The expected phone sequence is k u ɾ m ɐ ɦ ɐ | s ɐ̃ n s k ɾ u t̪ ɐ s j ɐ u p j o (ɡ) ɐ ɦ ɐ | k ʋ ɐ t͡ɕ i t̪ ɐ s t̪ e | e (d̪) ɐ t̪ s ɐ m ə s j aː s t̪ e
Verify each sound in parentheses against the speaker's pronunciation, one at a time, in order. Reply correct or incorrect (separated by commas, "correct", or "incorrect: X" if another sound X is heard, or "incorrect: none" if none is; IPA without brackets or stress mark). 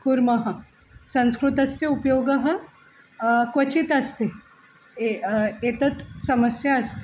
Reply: correct, incorrect: t̪